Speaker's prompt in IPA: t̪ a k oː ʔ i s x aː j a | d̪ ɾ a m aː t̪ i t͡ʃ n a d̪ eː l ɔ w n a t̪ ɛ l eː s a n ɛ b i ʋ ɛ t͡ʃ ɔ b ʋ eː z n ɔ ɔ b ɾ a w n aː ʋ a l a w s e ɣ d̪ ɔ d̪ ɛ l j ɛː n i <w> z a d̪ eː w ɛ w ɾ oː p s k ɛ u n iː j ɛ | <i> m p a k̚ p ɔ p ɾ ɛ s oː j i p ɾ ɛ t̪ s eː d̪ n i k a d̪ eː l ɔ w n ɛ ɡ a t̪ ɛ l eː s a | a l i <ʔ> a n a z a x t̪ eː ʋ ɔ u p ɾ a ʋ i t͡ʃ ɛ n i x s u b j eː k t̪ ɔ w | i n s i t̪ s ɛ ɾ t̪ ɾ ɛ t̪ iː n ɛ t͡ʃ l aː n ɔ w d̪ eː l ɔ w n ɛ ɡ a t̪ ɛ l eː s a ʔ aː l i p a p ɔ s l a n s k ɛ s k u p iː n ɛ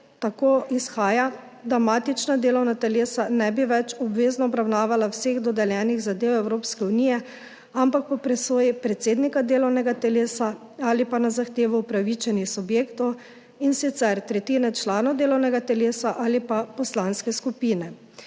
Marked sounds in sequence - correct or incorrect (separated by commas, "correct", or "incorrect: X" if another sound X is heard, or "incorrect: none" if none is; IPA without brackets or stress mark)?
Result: incorrect: ɣ, incorrect: a, incorrect: p